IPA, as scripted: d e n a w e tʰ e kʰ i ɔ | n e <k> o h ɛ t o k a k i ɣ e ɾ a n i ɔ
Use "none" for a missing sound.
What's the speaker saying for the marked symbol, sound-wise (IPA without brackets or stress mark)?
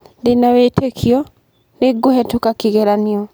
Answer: ɡ